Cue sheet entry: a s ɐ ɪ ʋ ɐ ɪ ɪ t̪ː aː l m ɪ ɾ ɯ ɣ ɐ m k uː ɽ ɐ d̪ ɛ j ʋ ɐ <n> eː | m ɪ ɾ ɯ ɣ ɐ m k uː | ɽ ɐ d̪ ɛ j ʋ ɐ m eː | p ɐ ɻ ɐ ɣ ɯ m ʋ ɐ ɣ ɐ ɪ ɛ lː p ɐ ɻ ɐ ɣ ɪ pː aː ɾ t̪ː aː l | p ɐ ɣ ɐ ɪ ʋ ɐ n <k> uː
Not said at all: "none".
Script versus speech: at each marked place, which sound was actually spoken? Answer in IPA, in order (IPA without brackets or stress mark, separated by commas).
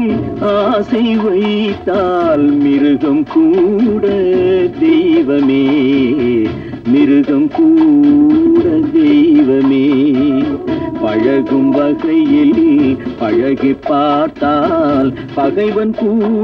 m, k